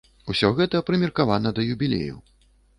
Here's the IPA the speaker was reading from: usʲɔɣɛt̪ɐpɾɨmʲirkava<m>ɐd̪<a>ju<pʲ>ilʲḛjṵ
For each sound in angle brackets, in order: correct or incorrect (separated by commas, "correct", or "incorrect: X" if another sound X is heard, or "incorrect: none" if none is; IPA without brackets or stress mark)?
incorrect: n, incorrect: ɐ, incorrect: bʲ